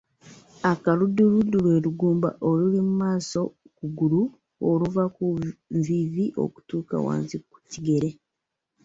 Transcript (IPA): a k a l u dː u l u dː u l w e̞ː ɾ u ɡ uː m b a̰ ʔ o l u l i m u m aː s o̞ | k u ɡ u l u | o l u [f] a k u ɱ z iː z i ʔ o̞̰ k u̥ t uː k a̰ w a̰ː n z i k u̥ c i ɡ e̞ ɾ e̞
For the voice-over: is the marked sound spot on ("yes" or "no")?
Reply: no